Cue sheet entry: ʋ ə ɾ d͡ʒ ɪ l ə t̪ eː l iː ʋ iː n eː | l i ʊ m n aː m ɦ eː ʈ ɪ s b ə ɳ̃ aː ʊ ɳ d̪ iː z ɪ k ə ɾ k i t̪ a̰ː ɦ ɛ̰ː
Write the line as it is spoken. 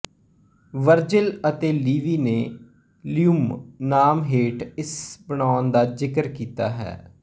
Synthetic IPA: ʋ ə ɾ d͡ʒ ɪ l ə t̪ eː l iː ʋ iː n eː | l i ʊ m n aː m ɦ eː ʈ ɪ s b ə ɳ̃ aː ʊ n d̪ aː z ɪ k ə ɾ k iː t̪ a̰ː ɦ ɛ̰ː